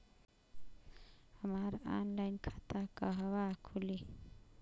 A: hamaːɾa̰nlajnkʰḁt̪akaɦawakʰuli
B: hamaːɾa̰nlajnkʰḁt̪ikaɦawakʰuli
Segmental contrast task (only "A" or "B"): A